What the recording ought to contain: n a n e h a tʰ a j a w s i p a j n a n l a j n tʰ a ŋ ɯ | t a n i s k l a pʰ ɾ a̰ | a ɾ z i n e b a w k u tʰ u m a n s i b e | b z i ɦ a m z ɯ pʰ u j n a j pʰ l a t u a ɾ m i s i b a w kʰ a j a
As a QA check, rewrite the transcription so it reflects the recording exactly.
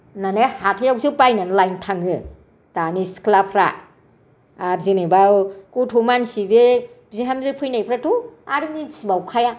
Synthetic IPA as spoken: n a n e h a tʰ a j a w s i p a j n a n l a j n tʰ a ŋ ɯ | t a n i s k l a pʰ ɾ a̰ | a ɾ z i n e b a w k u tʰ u m a n s i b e | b z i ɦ a m z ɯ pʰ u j n a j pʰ ɾ a t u a ɾ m i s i b a w kʰ a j a